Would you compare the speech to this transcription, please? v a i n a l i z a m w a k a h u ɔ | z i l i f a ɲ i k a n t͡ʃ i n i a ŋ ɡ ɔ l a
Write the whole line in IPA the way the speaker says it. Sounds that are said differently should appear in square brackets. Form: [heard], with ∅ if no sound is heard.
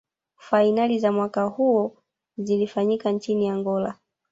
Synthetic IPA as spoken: [f] a i n a l i z a m w a k a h u ɔ | z i l i f a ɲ i k a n t͡ʃ i n i a ŋ ɡ ɔ l a